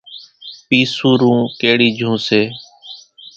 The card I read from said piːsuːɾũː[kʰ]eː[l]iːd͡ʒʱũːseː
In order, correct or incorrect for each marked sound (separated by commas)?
incorrect, incorrect